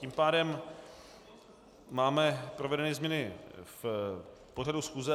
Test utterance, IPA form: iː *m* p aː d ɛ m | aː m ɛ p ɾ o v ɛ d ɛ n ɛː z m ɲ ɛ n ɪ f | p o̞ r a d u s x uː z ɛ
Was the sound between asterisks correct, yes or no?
yes